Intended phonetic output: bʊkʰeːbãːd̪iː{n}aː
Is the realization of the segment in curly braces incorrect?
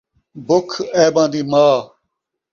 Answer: yes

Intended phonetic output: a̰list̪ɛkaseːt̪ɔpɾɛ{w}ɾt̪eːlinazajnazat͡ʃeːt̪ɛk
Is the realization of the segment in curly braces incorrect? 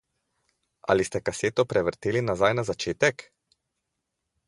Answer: yes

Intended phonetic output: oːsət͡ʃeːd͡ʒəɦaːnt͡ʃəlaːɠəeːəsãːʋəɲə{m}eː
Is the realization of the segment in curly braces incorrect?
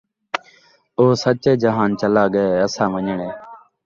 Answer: yes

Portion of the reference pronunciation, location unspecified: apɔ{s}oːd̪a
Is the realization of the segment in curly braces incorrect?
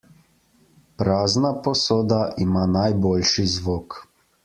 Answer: no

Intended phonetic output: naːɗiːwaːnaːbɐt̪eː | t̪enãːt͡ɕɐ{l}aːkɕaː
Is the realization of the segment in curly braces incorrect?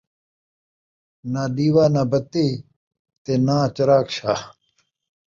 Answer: yes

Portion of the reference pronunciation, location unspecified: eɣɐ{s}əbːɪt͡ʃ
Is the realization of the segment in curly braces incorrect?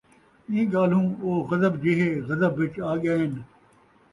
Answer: yes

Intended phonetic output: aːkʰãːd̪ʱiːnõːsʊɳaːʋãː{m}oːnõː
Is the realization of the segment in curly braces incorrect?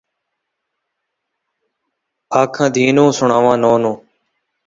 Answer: yes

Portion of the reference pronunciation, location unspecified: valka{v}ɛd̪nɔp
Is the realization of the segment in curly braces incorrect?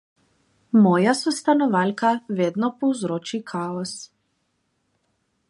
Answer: no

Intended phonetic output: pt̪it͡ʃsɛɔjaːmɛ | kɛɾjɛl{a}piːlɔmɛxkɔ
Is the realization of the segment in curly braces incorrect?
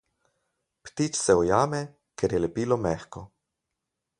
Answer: yes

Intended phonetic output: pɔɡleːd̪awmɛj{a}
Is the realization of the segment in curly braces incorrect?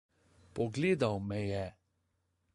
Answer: yes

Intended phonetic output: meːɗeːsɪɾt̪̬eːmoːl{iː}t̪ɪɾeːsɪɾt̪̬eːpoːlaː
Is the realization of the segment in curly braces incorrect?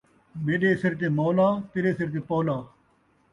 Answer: yes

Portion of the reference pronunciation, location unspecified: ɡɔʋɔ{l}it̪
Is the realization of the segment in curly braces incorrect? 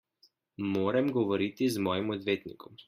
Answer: yes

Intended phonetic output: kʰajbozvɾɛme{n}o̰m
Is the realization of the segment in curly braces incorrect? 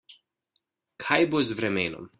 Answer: no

